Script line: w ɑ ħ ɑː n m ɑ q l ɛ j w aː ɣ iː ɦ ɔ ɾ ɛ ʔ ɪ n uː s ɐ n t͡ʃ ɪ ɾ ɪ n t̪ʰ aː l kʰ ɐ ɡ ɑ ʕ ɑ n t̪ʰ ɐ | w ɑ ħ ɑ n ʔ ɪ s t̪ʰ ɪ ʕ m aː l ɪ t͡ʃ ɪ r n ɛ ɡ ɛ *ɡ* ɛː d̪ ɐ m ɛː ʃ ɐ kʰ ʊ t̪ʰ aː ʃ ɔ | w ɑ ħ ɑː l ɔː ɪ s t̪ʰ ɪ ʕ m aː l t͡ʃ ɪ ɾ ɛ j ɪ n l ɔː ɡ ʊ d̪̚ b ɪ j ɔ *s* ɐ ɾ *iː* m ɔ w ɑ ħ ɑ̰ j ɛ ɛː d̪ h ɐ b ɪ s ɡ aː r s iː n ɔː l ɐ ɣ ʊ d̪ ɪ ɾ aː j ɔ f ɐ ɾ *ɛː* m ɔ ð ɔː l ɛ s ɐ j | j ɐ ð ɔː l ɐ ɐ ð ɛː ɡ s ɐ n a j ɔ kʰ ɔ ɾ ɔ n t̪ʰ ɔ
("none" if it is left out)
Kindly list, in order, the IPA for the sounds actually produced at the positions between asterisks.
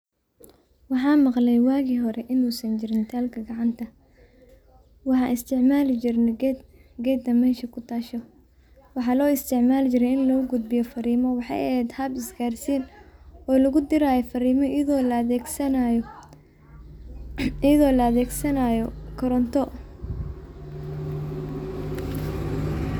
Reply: ɡ, f, iː, iː

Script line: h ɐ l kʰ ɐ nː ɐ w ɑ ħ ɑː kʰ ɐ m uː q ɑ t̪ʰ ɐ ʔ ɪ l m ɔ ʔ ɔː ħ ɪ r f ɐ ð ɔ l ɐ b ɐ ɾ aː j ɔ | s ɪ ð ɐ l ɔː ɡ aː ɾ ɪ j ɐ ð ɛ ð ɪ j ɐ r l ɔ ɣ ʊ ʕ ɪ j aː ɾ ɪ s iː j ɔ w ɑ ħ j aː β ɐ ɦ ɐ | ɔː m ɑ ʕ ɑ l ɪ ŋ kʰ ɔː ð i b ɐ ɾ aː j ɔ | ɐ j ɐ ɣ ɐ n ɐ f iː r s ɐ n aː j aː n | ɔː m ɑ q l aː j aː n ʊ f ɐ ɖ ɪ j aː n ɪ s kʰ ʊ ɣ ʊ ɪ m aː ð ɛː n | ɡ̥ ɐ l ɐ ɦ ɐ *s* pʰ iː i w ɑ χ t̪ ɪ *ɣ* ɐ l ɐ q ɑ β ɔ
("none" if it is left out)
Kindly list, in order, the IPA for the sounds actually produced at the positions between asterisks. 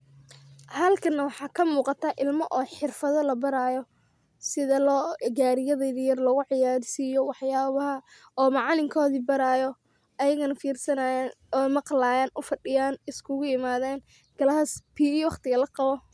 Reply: s, ɣ

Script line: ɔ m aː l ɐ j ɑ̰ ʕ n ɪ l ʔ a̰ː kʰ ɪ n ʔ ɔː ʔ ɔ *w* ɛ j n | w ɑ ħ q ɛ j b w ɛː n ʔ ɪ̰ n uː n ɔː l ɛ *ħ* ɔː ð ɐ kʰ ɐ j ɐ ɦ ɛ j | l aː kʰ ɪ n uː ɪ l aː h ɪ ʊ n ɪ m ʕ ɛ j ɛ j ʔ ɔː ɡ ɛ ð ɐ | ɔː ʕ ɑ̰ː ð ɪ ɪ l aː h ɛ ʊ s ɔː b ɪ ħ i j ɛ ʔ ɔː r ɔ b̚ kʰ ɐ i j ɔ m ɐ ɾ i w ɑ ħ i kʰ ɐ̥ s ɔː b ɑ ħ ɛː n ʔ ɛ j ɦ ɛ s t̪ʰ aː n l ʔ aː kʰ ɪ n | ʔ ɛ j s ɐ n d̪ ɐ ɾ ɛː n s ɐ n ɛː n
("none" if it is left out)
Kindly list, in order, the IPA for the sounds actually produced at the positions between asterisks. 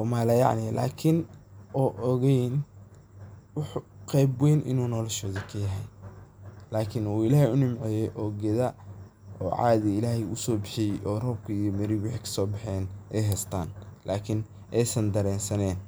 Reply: ɣ, ʃ

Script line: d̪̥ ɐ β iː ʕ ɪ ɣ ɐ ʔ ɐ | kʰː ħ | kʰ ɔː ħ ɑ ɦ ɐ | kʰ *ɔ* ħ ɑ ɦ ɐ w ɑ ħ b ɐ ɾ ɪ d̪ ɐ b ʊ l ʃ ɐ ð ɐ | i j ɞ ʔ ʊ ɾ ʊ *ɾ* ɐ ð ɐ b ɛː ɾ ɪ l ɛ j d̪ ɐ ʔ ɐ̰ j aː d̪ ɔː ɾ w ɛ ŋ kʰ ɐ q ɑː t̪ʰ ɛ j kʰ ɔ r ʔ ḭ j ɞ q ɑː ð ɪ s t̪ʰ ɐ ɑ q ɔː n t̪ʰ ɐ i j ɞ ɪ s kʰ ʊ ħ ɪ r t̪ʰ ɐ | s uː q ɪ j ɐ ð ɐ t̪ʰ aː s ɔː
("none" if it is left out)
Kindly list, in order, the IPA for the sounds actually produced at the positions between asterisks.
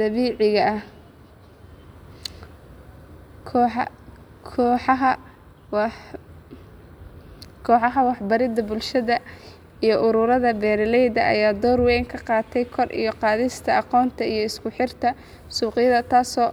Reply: ɔː, ɾ

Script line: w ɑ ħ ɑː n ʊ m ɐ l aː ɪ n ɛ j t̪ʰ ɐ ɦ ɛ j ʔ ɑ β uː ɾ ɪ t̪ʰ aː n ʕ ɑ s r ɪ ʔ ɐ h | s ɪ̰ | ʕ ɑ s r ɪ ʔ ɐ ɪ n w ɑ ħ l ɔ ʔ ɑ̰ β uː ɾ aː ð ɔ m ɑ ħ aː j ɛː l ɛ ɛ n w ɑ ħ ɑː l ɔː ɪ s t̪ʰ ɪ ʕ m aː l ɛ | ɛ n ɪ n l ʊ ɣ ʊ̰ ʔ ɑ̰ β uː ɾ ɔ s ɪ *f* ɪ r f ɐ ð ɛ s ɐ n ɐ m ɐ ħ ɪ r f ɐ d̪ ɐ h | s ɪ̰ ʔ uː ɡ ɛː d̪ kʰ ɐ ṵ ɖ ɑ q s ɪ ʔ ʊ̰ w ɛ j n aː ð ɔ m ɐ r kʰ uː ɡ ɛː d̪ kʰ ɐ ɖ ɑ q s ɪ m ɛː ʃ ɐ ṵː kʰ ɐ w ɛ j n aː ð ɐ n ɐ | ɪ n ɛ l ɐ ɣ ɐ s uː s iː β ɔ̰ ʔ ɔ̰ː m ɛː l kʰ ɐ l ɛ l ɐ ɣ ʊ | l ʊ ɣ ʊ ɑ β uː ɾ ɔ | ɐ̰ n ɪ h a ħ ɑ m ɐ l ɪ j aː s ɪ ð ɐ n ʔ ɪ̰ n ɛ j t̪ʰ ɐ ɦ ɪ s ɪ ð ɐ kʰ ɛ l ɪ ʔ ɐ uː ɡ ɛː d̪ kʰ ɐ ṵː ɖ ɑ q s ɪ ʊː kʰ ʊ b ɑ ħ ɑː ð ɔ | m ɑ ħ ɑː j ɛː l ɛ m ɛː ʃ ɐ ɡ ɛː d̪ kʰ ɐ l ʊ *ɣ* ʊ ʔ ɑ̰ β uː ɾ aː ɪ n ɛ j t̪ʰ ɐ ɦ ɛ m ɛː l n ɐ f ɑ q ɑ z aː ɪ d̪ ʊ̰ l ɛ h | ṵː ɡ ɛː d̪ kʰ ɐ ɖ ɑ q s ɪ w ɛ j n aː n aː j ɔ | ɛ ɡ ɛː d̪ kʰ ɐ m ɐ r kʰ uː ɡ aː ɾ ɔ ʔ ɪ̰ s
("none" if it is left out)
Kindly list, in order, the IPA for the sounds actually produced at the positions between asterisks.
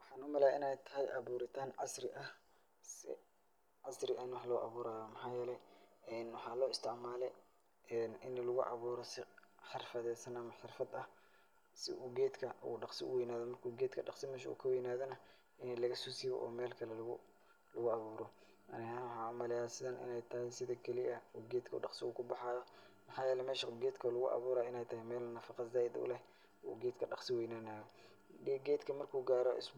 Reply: ħ, ɣ

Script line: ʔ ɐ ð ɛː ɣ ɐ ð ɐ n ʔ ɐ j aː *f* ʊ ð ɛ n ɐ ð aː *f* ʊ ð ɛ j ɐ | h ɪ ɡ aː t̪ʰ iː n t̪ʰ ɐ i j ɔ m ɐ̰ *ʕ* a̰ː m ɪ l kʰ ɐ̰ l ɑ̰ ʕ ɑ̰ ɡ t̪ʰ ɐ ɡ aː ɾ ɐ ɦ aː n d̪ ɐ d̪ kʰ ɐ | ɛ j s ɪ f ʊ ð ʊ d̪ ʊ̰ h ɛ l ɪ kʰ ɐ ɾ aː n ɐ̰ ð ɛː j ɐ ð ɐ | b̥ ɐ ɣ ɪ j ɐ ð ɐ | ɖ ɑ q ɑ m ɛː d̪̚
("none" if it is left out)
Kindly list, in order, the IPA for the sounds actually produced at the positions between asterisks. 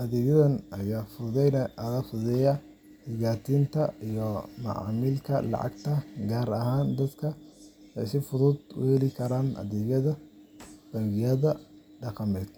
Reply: f, f, ʕ

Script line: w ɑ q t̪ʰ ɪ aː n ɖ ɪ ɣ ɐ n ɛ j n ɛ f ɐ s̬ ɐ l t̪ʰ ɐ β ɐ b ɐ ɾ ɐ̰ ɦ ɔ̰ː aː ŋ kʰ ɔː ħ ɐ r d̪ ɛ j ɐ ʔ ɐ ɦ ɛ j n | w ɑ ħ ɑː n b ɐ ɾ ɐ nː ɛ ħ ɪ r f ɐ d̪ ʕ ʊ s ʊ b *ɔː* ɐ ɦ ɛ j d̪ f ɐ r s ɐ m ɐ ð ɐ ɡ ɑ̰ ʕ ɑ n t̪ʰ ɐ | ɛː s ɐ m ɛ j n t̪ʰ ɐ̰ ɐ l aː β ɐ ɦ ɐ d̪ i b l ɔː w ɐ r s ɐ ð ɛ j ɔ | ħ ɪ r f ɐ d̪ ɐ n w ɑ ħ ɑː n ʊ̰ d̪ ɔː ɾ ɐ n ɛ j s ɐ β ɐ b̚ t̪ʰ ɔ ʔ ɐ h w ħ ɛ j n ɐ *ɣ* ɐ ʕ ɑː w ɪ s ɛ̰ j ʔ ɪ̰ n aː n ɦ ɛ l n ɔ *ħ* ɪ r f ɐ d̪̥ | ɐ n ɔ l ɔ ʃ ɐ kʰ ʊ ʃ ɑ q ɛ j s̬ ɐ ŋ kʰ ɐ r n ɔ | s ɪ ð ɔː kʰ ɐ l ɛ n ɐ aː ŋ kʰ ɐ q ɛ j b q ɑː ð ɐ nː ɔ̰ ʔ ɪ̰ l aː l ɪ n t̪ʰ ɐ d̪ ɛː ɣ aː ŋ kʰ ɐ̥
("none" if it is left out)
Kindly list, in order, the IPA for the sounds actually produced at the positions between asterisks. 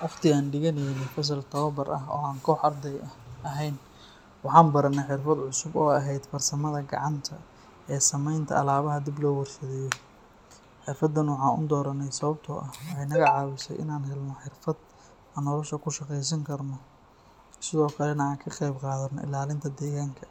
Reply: ɔː, ɣ, ħ

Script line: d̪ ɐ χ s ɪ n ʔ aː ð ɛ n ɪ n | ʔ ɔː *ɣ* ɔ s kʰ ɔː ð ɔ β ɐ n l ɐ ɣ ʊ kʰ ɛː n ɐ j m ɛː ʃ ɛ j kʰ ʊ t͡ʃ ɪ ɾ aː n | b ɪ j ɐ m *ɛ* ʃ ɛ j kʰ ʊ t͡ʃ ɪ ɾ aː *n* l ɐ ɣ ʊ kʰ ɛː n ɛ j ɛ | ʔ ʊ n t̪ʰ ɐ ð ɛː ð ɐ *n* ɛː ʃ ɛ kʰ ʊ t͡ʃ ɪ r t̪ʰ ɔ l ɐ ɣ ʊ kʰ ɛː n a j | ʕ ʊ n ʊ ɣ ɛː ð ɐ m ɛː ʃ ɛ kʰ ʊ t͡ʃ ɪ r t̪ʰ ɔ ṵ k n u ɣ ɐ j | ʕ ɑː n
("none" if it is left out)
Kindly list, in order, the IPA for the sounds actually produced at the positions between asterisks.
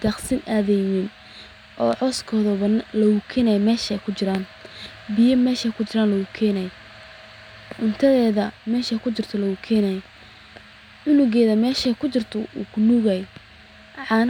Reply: ʕ, ɛː, n, m

